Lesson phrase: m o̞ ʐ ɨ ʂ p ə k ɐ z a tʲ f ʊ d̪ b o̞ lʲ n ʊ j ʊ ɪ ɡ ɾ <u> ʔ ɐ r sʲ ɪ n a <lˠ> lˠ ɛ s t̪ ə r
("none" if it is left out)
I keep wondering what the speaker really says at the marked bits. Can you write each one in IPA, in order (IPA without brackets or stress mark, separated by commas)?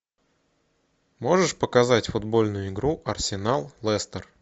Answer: u, lˠ